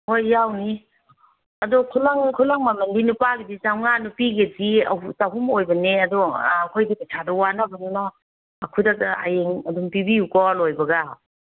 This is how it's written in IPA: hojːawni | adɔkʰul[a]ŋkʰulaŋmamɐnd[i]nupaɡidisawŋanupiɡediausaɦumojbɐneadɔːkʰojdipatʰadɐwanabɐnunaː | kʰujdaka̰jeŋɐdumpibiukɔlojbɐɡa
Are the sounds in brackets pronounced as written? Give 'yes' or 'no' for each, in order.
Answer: yes, yes

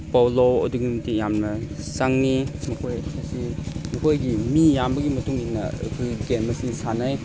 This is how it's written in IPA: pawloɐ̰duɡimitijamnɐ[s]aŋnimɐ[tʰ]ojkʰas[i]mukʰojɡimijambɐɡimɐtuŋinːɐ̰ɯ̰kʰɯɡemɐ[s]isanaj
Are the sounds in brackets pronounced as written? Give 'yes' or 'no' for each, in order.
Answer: yes, no, yes, yes

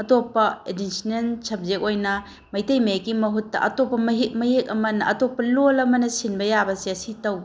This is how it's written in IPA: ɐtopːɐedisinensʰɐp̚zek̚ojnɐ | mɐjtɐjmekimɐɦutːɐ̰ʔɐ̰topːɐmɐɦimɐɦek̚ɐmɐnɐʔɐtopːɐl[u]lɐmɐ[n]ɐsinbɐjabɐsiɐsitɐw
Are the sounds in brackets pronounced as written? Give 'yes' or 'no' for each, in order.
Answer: no, yes

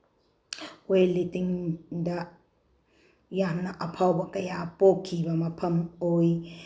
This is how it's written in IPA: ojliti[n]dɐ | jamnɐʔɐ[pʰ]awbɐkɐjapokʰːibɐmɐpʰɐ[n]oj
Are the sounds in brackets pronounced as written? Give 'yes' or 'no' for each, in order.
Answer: no, yes, no

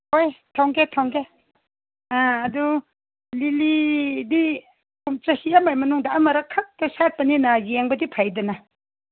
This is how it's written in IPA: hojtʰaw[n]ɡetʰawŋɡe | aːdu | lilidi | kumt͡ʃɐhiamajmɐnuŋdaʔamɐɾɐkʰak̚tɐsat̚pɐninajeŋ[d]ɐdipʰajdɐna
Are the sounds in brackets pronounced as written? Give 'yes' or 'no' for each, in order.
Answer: no, no

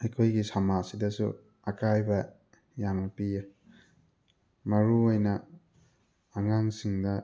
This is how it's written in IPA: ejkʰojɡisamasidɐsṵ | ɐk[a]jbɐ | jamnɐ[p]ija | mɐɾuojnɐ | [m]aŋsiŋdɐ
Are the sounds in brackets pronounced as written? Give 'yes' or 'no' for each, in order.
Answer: yes, yes, no

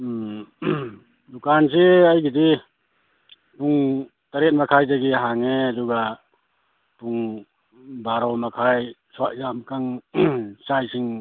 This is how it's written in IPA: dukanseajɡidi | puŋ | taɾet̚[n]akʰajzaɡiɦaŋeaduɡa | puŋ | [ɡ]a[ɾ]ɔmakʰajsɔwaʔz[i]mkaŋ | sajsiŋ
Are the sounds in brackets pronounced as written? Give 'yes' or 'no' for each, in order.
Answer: no, no, yes, no

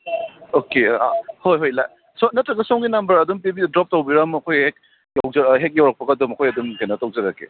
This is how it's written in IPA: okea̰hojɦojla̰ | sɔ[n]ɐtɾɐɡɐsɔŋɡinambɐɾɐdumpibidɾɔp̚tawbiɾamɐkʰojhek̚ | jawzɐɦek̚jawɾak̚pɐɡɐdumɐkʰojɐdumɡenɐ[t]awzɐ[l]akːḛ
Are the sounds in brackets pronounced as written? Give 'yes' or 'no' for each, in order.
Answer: yes, yes, no

